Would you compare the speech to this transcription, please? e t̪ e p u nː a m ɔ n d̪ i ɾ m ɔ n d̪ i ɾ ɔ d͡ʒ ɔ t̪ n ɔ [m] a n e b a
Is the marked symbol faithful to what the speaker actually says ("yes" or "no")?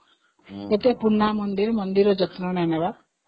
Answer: no